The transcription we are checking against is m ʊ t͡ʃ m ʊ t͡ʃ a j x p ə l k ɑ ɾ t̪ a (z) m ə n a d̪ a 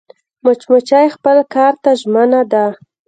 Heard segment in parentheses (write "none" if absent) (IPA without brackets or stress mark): ʒ